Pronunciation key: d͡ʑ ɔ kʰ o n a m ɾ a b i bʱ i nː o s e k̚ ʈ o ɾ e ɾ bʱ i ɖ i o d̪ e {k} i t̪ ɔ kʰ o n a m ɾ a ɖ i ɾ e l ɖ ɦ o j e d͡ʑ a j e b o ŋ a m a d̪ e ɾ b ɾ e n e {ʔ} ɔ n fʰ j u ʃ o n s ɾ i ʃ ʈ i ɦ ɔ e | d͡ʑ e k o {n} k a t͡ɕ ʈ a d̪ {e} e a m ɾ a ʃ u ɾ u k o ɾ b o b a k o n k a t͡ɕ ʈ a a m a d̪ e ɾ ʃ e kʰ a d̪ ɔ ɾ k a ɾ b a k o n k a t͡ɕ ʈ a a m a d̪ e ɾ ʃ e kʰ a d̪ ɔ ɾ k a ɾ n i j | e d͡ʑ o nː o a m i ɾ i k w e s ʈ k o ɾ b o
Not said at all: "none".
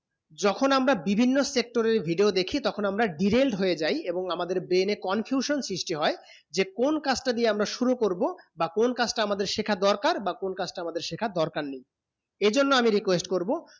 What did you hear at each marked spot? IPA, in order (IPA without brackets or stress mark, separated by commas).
kʰ, k, n, i